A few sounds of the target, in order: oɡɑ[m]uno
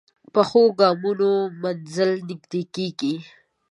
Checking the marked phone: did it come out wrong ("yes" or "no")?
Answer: no